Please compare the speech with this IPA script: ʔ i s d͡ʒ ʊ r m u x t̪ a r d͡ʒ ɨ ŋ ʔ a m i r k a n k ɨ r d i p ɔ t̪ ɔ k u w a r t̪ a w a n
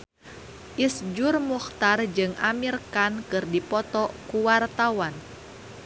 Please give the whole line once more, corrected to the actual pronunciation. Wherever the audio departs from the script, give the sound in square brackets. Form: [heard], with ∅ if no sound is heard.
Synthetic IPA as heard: ʔ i s d͡ʒ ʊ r m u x t̪ a r d͡ʒ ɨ ŋ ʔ a m i r k a n k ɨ r d i p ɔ t̪ ɔ k u w a r t̪ a w a n